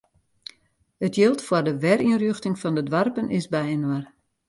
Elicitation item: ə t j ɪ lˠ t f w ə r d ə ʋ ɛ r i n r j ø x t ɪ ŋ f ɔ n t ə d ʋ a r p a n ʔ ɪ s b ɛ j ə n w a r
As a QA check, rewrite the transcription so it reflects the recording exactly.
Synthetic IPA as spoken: ə t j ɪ lˠ t f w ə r d ə ʋ ɛ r i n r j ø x t ɪ ŋ f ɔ n d ə d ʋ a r p ə n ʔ ɪ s b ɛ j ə n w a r